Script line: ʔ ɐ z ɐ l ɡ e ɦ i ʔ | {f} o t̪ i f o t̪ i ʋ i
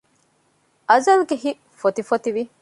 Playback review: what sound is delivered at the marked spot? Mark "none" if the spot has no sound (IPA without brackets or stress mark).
f